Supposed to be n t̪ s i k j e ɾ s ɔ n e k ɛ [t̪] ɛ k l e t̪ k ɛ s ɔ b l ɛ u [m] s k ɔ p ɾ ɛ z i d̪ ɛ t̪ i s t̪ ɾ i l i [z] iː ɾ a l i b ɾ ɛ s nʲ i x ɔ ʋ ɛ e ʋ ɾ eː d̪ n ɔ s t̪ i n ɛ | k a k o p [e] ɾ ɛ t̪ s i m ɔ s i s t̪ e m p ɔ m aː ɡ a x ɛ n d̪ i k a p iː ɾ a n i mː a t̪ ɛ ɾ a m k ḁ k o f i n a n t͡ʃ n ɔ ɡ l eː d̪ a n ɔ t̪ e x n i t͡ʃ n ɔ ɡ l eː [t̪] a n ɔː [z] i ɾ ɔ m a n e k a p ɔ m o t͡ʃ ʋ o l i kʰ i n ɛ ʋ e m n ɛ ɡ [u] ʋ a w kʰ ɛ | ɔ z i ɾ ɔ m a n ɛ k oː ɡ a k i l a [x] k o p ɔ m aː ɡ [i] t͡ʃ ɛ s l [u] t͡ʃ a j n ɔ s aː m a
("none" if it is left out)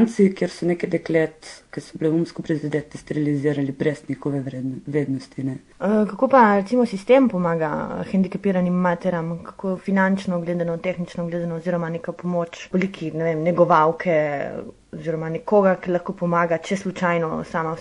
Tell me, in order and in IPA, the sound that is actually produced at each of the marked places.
d̪, m, z, a, d̪, z, ɔ, x, a, u

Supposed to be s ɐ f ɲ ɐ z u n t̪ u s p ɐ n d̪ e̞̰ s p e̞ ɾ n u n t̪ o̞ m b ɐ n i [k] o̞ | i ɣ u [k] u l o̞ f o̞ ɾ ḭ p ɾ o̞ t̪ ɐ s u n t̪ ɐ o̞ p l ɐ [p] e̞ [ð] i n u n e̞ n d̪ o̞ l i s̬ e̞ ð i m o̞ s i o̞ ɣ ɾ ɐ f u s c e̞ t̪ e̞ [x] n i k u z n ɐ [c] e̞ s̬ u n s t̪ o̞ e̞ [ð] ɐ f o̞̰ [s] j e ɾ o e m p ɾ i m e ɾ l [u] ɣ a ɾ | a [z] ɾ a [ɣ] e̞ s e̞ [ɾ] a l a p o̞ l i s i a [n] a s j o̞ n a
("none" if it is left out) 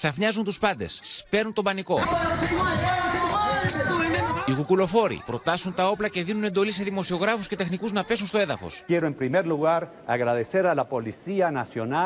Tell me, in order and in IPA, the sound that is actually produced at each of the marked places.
k, k, c, ð, x, p, ð, s, u, ɣ, ð, ɾ, n

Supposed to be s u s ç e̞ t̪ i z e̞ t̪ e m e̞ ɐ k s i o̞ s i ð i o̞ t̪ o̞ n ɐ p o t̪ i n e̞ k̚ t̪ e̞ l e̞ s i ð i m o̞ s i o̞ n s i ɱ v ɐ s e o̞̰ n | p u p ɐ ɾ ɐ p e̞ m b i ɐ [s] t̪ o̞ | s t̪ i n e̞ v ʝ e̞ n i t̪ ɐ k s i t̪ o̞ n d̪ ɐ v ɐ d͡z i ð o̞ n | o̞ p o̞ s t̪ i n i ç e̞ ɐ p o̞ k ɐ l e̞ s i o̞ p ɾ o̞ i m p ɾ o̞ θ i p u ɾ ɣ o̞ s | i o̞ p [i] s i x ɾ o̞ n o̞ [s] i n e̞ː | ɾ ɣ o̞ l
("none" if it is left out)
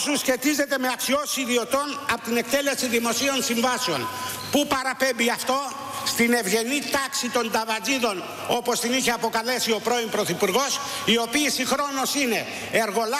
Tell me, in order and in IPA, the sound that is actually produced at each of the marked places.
f, iː, s

